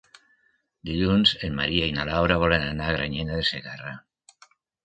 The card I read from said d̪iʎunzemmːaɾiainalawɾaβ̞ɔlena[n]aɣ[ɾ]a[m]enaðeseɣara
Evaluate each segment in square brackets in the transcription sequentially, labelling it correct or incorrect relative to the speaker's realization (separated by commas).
correct, correct, incorrect